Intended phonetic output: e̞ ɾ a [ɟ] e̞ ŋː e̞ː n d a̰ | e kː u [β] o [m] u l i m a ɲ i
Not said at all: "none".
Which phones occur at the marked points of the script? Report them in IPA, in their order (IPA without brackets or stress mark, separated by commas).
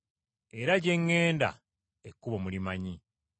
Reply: ɟ, β, m